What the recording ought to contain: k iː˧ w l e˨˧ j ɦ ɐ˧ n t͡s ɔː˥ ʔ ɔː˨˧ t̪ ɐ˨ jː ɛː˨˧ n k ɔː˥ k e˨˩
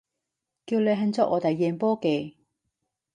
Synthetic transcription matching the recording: k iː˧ w l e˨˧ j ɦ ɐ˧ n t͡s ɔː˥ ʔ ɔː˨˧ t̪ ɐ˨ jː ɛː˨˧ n p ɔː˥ k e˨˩